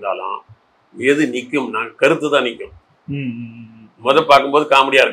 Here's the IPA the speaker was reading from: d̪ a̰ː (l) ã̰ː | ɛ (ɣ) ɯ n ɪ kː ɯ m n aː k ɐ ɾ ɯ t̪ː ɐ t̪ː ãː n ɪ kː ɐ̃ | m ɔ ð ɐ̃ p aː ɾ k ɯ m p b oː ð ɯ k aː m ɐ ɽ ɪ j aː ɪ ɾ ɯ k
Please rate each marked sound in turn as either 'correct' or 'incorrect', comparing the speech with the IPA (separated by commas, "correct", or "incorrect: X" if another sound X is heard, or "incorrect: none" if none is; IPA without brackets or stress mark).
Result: correct, incorrect: ð